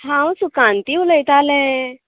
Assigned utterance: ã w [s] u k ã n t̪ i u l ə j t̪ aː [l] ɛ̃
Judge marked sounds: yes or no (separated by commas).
yes, yes